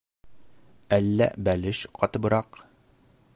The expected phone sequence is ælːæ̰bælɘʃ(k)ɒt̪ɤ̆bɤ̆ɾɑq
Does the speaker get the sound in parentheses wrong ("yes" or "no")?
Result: yes